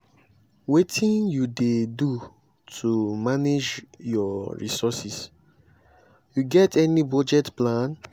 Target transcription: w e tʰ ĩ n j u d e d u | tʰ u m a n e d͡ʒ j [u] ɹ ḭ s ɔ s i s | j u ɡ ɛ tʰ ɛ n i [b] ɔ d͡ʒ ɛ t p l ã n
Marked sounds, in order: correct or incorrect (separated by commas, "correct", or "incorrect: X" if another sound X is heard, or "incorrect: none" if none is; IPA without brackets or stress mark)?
incorrect: ɔ, correct